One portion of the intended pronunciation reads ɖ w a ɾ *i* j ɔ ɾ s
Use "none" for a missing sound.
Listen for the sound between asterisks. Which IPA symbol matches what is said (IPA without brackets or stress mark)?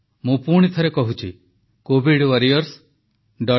i